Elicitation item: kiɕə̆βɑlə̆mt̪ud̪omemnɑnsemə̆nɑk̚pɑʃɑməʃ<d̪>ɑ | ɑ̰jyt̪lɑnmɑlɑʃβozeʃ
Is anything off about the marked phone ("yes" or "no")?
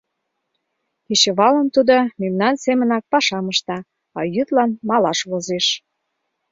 yes